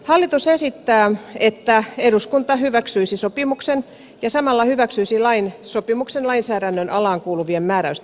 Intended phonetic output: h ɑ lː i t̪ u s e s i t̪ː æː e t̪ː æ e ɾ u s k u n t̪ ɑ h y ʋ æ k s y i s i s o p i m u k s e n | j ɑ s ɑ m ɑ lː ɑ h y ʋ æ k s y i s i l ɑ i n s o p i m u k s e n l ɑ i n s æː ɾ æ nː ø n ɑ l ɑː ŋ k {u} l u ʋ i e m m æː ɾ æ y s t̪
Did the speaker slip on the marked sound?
yes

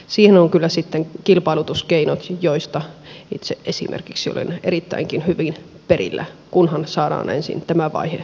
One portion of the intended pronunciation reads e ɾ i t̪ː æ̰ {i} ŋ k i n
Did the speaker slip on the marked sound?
no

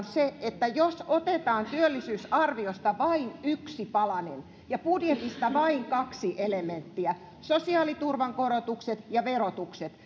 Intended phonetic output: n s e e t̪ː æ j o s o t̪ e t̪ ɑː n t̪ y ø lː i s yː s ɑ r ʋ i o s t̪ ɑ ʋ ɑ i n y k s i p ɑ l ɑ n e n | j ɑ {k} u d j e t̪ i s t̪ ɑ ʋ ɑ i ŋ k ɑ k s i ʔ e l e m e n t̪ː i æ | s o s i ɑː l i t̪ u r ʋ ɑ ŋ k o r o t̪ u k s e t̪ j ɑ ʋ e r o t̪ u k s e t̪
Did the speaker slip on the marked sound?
yes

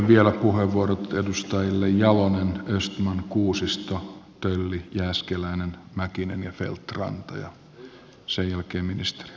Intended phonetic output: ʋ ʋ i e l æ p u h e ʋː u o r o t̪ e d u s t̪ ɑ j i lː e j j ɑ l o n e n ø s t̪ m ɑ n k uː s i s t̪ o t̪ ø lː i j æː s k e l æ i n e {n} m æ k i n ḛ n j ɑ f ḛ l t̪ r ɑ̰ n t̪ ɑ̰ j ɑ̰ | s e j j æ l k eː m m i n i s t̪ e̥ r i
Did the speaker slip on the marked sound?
no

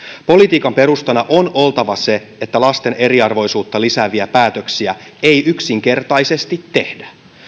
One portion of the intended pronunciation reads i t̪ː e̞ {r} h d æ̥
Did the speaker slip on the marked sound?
yes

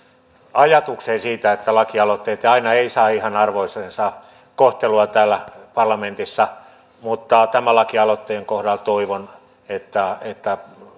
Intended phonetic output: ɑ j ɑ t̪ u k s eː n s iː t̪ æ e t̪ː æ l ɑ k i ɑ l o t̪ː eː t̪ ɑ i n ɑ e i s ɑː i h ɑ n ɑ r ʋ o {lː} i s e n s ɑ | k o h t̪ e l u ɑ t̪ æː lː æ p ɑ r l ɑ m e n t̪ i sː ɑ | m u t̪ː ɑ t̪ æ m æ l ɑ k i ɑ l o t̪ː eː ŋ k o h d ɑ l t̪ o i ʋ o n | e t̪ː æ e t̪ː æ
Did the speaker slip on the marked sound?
yes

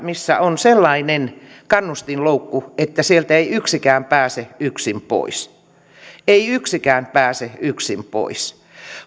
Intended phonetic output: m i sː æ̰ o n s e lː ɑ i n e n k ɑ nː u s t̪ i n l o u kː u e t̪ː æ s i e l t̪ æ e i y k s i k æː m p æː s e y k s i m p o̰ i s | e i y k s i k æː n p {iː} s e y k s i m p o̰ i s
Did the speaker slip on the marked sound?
yes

